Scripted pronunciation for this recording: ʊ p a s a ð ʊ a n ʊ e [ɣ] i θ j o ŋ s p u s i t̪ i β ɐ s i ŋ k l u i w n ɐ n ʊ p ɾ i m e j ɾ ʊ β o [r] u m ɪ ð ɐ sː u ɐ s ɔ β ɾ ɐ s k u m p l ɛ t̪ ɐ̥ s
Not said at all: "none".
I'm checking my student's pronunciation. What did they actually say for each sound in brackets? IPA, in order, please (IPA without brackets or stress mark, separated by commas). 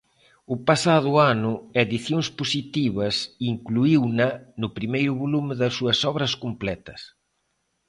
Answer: ð, l